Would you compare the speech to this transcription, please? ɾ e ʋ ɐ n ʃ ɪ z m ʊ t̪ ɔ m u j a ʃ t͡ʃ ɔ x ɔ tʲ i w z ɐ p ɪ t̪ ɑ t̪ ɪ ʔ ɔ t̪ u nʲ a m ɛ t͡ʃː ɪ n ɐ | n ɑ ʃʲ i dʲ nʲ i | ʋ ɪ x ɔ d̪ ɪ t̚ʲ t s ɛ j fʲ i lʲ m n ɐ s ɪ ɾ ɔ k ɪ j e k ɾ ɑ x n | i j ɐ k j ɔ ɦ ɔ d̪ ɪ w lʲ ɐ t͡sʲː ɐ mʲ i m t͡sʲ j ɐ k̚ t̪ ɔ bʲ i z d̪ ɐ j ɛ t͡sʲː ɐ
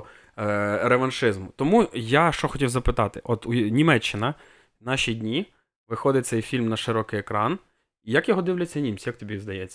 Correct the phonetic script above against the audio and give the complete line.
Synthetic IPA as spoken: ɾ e ʋ ɐ n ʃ ɪ z m ʊ t̪ ɔ m u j a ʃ t͡ʃ ɔ x ɔ tʲ i w z ɐ p ɪ t̪ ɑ t̪ ɪ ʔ ɔ t̪ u nʲ i m ɛ t͡ʃː ɪ n ɐ | n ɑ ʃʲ i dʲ nʲ i | ʋ ɪ x ɔ d̪ ɪ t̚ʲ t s ɛ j fʲ i lʲ m n ɐ ʃ ɪ ɾ ɔ k ɪ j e k ɾ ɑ n | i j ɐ k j ɔ ɦ ɔ d̪ ɪ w lʲ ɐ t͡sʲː ɐ nʲ i m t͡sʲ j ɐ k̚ t̪ ɔ bʲ i z d̪ ɐ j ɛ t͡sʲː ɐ